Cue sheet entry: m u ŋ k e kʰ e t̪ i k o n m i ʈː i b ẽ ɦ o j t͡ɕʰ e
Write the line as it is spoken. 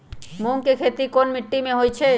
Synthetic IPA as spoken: m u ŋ k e kʰ e t̪ i k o n m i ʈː i m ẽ ɦ o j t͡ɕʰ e